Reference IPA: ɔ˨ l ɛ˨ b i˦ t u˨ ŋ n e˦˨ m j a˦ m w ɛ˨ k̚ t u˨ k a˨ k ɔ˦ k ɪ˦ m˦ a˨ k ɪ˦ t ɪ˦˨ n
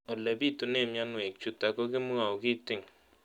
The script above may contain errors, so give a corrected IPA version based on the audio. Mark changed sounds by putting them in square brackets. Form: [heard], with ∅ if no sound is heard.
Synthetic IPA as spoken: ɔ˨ l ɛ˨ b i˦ t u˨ [∅] n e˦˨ m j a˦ [n] w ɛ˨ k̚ [t͡ʃ] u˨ [t] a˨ k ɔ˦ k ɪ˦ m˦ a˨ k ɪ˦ t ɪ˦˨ [ŋ]